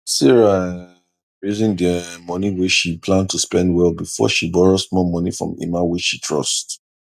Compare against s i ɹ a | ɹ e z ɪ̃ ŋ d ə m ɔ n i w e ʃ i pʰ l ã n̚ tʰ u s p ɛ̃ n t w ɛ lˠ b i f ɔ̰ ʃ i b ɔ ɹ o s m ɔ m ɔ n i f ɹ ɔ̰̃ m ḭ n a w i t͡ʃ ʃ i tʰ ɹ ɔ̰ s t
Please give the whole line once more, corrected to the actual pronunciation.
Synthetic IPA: s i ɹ a | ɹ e z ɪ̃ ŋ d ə m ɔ n i w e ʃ i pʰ l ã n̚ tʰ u s p ɛ̃ n d w ɛ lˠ b i f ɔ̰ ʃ i b ɔ ɹ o s m ɔ m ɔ n i f ɹ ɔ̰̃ m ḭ m a w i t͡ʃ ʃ i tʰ ɹ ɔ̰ s t